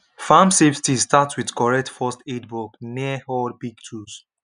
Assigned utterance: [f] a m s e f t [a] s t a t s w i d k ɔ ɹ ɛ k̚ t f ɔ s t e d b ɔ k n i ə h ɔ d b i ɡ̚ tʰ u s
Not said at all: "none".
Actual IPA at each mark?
f, i

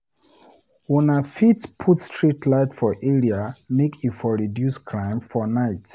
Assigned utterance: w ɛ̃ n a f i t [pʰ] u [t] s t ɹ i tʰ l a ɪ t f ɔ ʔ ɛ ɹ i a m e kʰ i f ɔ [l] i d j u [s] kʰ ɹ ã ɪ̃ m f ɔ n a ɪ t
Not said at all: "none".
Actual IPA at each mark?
pʰ, t, ɹ, s

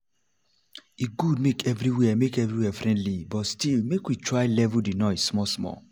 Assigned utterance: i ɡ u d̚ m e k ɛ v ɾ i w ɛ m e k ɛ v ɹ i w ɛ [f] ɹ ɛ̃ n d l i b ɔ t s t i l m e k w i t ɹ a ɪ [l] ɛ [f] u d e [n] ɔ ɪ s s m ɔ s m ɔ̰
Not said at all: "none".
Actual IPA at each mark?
f, l, v, n

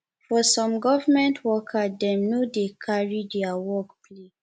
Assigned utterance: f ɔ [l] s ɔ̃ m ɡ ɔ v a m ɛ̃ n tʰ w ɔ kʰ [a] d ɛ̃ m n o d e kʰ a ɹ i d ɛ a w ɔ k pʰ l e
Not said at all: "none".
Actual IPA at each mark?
none, a

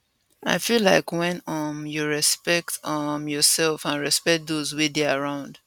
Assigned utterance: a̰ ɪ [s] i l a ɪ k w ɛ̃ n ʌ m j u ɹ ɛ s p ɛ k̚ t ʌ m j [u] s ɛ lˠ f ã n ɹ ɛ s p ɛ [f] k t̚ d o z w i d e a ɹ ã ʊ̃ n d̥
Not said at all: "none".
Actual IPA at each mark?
f, ɔ, none

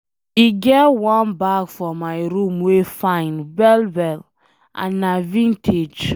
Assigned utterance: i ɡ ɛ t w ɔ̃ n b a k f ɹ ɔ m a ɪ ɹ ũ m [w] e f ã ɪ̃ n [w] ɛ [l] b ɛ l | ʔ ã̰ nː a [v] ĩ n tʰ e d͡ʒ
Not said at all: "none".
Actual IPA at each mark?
w, b, l, v

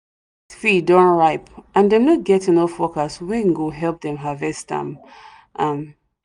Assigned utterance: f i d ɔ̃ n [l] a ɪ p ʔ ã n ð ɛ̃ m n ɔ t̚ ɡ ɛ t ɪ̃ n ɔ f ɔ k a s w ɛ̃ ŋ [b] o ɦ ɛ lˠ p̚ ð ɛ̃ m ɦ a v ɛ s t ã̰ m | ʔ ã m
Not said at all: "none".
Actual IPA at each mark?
ɹ, ɡ

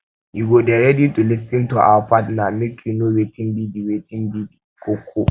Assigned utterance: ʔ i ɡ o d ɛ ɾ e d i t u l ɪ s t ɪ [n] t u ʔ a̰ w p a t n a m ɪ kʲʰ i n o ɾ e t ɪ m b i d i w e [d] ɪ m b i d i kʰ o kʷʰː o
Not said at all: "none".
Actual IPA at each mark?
n, t

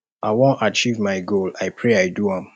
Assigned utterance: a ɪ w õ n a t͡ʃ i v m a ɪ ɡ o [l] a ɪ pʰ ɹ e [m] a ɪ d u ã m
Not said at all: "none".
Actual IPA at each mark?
l, none

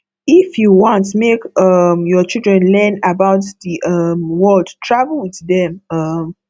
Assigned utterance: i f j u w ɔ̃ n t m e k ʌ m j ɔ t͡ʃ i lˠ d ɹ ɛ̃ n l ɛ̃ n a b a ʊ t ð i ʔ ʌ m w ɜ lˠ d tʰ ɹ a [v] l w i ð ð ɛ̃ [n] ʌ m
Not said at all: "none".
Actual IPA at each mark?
v, m

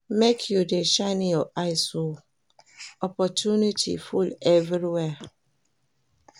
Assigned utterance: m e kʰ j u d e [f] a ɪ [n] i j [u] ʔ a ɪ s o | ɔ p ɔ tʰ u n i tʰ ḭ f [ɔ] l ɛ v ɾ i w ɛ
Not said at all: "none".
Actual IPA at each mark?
ʃ, n, ɔ, u

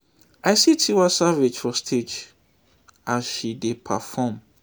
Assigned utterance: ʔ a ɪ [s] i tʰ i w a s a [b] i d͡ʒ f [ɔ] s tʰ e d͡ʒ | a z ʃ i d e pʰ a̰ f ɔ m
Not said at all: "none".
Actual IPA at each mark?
s, v, ɔ

